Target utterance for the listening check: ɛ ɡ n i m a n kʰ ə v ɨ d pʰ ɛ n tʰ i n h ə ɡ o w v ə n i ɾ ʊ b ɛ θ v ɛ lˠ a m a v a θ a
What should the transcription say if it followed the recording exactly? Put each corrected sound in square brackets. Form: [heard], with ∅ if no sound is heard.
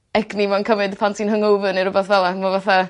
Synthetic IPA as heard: ɛ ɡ n i m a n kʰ ə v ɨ d pʰ [a] n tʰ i n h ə [ŋ] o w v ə n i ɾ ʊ b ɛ θ v ɛ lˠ a m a v a θ a